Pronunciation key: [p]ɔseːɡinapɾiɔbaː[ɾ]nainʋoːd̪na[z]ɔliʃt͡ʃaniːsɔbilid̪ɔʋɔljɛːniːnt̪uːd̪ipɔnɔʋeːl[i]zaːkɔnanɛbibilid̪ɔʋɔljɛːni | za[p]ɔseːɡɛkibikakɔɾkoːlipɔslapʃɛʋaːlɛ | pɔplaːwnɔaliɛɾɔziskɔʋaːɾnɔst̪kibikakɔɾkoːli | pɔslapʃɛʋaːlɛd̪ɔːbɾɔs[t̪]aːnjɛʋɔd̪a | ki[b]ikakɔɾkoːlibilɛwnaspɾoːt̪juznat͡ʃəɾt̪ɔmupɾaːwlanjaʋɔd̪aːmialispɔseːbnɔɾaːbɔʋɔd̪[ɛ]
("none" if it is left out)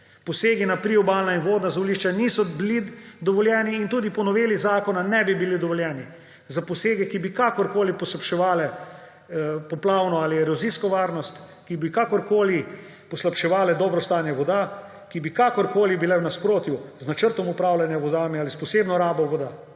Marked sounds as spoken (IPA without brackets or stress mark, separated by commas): p, l, z, i, p, t̪, b, a